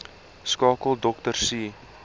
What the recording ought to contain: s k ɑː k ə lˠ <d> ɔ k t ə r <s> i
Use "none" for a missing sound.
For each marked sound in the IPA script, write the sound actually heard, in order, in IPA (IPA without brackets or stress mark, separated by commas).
d, s